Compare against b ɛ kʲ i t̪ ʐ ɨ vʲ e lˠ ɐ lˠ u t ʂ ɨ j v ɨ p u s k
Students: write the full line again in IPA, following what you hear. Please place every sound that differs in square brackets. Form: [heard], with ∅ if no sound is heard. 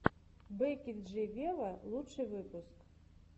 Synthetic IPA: b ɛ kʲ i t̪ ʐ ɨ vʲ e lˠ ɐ lˠ u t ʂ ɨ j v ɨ p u s k